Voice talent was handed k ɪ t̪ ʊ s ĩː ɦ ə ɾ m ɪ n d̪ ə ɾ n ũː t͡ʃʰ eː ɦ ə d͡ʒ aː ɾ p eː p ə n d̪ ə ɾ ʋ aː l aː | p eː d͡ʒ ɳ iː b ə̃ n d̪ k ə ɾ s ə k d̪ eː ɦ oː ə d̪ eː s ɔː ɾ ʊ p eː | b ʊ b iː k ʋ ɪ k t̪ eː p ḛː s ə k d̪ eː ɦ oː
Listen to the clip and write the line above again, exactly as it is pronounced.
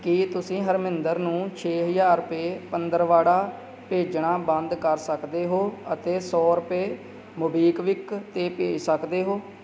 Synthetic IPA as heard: k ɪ t̪ ʊ s ĩː ɦ ə ɾ m ɪ n d̪ ə ɾ n ũː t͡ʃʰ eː ɦ ə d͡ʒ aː ɾ p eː p ə n d̪ ə ɾ ʋ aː ɽ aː | p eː d͡ʒ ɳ aː b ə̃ n d̪ k ə ɾ s ə k d̪ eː ɦ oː ə t̪ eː s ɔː ɾ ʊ p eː | m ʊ b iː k ʋ ɪ k t̪ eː p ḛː s ə k d̪ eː ɦ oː